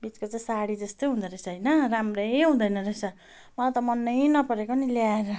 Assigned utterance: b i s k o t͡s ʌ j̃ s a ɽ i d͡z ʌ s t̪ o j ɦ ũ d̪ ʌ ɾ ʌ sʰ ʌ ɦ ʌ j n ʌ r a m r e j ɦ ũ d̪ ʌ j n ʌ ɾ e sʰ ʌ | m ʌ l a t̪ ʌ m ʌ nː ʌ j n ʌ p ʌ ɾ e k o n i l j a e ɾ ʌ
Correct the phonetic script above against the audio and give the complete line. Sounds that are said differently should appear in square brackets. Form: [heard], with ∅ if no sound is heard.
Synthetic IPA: b i [t͡s] k o t͡s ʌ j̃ s a ɽ i d͡z ʌ s t̪ o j ɦ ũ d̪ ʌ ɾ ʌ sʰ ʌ ɦ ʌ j n ʌ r a m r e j ɦ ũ d̪ ʌ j n ʌ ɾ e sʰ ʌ | m ʌ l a t̪ ʌ m ʌ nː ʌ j n ʌ p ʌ ɾ e k o n i l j a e ɾ ʌ